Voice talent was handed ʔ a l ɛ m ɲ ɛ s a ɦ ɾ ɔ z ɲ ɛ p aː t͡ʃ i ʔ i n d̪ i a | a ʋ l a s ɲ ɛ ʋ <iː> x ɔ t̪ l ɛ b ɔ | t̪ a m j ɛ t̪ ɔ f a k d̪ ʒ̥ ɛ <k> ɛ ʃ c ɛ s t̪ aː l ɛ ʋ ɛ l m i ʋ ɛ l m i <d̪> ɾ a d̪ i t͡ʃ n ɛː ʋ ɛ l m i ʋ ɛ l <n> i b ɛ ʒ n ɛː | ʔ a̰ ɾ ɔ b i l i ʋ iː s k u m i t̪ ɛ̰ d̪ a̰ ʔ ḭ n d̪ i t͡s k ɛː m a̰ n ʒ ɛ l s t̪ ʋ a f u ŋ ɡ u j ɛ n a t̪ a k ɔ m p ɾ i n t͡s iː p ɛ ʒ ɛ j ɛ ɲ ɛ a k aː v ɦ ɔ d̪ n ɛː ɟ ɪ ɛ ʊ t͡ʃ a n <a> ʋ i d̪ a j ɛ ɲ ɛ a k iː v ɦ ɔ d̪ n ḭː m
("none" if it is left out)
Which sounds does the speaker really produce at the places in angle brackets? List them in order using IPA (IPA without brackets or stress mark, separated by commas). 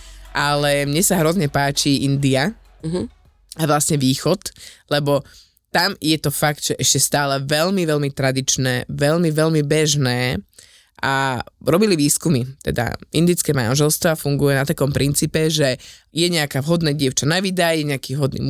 iː, ʔ, t̪, m, a